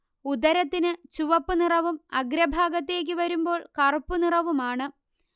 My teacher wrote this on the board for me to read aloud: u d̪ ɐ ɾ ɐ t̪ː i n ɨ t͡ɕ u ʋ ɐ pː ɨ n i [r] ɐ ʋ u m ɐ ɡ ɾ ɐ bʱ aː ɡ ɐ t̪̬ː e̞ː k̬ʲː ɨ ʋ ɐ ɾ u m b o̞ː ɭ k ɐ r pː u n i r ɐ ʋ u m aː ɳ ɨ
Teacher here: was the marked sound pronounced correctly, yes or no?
yes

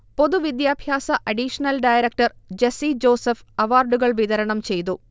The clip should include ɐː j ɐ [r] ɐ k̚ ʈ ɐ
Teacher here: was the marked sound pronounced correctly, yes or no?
no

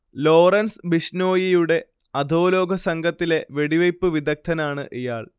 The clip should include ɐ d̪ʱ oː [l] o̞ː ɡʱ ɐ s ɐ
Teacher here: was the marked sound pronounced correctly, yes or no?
yes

